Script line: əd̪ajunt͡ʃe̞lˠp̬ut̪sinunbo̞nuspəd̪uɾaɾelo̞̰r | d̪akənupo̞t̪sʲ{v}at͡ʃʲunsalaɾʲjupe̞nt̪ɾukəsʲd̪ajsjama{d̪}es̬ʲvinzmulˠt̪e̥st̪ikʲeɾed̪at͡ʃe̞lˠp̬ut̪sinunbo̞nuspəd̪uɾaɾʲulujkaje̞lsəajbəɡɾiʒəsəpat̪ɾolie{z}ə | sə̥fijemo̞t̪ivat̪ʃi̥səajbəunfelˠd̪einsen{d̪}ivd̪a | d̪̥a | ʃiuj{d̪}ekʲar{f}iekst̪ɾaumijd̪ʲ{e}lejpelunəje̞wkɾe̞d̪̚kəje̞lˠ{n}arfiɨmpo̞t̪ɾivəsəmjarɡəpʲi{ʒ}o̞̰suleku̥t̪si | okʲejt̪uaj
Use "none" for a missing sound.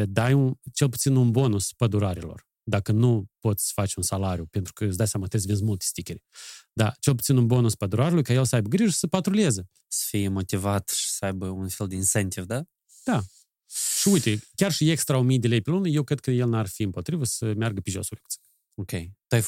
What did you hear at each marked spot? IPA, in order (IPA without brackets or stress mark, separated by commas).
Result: f, t̪, z, t̪, t̪, ʃ, e, n, ʒ